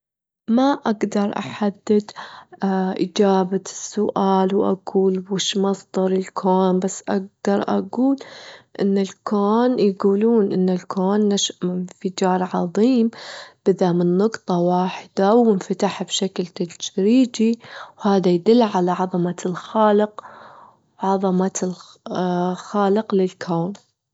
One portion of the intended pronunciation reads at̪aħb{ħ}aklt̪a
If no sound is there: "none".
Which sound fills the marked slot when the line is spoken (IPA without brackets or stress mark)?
ʃ